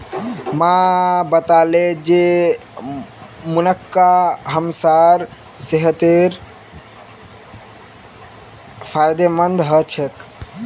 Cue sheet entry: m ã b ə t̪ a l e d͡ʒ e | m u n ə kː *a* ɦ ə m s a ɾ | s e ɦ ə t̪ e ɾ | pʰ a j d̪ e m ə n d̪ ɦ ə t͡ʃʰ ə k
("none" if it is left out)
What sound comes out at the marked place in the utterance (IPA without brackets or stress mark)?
a